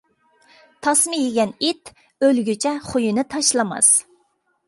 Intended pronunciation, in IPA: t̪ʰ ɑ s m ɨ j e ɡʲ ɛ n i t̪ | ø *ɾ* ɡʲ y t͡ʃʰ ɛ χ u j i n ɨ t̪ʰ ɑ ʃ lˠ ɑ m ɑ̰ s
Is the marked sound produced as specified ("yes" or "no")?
no